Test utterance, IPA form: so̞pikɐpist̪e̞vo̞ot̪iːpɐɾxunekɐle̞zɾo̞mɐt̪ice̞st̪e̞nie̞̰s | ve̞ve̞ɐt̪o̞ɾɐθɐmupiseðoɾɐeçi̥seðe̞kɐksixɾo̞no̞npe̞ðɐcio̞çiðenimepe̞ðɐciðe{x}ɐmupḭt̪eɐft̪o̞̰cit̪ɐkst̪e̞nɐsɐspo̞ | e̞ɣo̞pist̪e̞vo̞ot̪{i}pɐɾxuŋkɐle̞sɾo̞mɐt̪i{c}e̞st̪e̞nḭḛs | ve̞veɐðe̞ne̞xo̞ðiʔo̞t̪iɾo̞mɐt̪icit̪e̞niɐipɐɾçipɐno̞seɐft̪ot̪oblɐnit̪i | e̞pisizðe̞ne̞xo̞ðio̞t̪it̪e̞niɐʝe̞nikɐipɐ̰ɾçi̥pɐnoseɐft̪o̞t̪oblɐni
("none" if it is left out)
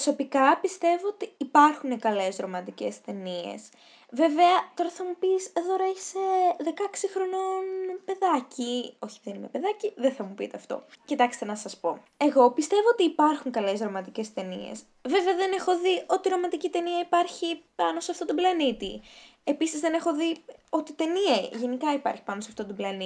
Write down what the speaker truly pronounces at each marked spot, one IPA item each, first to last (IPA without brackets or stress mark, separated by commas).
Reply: θ, iː, c